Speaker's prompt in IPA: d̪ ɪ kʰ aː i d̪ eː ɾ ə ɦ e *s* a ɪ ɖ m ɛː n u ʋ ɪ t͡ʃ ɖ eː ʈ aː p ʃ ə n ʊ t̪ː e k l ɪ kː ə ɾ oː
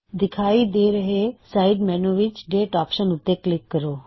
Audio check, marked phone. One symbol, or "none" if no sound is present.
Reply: s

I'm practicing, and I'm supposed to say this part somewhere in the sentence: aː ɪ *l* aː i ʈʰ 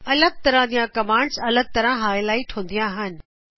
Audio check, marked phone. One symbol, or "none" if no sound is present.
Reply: l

